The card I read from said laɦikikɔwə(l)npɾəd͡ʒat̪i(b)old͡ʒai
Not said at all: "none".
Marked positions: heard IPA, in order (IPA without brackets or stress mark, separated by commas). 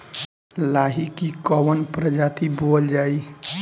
none, b